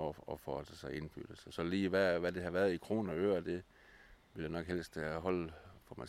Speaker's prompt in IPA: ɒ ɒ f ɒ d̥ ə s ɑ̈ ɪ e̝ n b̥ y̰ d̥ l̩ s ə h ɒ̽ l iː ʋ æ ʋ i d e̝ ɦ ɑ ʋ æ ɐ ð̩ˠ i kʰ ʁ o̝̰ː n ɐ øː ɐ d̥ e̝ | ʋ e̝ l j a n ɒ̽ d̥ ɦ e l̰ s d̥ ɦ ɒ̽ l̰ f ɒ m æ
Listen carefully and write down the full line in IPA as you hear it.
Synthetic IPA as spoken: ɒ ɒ f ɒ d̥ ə s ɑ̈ ɪ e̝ n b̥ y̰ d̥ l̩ s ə s ɒ̽ l iː ʋ æ ʋ æ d e̝ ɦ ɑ ʋ æ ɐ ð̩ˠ i kʰ ʁ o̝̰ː n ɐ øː ɐ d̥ e̝ | ʋ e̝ l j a n ɒ̽ ɡ̥ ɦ e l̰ s d̥ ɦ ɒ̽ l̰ f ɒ m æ